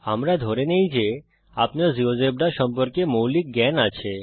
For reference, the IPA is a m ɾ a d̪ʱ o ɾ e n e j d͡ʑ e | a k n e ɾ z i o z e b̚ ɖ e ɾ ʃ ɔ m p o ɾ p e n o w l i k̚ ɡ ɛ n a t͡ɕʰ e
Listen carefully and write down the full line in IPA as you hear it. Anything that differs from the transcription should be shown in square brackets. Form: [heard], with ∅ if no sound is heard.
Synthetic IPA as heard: a m ɾ a d̪ʱ o ɾ e n e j d͡ʑ e | a [p] n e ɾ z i o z e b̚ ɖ [a] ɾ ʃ ɔ m p o ɾ [k] e [m] o w l i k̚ ɡ ɛ n a t͡ɕʰ e